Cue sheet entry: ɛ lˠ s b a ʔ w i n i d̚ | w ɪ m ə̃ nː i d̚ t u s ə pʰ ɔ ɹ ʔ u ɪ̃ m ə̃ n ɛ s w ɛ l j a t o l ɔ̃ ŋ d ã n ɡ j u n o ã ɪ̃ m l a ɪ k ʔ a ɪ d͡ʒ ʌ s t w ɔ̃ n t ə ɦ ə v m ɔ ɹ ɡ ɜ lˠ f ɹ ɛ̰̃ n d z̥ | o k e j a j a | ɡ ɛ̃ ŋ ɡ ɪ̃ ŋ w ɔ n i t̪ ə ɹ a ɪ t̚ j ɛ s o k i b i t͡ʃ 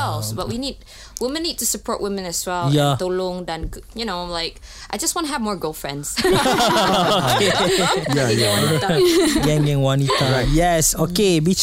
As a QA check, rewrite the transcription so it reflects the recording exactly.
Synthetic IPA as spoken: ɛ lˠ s b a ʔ w i n i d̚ | w ɪ m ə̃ nː i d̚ t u s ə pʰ ɔ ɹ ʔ w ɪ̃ m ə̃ n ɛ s w ɛ l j a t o l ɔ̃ ŋ d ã n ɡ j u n o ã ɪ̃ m l a ɪ k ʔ a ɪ d͡ʒ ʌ s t w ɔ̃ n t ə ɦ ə v m ɔ ɹ ɡ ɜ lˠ f ɹ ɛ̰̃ n d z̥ | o k e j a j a | ɡ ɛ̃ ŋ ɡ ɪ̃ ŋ w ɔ n i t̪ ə ɹ a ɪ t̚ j ɛ s o k e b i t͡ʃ